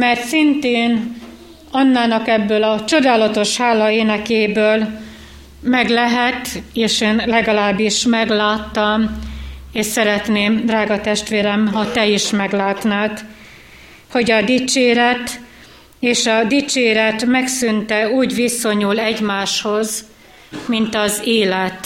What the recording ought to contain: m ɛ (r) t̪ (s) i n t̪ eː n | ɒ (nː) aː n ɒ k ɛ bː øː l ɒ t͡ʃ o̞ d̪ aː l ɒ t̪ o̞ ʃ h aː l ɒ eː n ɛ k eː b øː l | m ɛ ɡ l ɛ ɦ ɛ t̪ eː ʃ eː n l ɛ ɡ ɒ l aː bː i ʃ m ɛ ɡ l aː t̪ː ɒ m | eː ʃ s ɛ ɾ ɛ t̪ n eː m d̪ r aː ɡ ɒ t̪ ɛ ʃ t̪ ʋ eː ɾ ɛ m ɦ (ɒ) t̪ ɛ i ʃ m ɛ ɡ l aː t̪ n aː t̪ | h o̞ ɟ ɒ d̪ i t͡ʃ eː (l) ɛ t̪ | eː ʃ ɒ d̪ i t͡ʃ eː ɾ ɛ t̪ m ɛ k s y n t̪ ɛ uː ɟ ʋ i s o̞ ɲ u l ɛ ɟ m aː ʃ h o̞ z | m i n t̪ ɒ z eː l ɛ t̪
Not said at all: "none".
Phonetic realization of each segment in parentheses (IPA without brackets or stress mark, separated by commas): r, s, nː, ɒ, ɾ